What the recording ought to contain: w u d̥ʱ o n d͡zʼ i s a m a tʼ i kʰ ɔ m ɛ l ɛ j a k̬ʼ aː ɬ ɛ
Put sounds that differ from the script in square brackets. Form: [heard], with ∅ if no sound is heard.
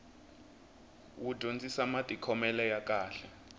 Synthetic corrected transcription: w u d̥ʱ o n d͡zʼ i s a m a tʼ i kʰ ɔ m ɛ l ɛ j a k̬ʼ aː ɬ ɛ